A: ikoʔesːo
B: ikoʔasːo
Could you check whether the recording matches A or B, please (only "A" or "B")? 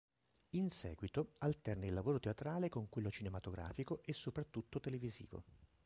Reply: A